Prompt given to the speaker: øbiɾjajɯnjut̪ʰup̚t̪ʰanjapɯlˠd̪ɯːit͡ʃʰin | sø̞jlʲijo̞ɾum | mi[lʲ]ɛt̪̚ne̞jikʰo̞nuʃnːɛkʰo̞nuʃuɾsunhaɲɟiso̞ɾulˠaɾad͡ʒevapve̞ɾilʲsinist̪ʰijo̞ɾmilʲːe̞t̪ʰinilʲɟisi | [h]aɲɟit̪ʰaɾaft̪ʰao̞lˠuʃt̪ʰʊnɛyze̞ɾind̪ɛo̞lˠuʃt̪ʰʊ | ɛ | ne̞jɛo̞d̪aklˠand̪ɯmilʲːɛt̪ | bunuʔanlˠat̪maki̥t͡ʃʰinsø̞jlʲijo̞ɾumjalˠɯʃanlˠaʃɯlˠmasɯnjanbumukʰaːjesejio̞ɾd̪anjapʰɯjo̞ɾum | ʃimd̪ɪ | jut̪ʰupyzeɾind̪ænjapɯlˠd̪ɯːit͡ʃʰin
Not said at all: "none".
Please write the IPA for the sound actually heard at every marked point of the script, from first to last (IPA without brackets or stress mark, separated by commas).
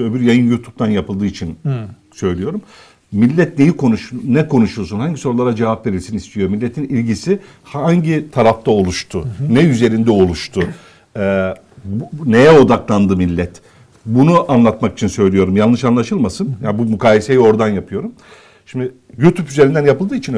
lʲː, h